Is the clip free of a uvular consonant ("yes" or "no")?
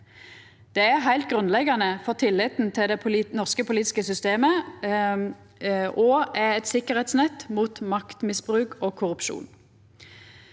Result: no